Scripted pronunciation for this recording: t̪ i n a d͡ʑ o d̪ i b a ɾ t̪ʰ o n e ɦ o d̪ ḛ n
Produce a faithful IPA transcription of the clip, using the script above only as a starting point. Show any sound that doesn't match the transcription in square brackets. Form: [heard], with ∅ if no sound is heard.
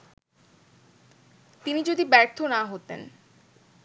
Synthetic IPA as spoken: t̪ i n [i] d͡ʑ o d̪ i b [ɛ] ɾ t̪ʰ o n [a] ɦ o [t̪] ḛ n